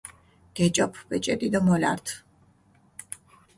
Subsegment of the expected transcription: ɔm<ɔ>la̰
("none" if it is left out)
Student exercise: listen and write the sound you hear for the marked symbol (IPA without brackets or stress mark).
ɔ